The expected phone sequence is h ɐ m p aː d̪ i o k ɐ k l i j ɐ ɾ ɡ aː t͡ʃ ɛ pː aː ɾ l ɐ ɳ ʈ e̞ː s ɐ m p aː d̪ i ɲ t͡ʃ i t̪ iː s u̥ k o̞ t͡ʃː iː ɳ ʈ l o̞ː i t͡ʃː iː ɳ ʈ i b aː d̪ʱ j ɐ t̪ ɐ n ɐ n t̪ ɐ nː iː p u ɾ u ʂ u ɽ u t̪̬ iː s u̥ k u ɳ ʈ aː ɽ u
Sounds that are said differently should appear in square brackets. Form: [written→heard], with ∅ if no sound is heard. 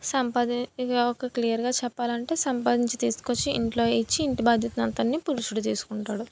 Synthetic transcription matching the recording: [h→s] ɐ m p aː d̪ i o k ɐ k l i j ɐ ɾ ɡ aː t͡ʃ ɛ pː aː [ɾ→∅] l ɐ ɳ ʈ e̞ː s ɐ m p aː d̪ i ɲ t͡ʃ i t̪ iː s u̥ k o̞ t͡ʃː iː ɳ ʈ l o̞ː i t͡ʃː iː ɳ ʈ i b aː d̪ʱ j ɐ t̪ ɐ n ɐ n t̪ ɐ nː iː p u ɾ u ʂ u ɽ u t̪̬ iː s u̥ k u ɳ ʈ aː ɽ u